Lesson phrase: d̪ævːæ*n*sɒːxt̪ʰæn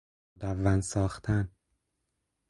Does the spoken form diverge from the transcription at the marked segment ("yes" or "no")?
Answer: no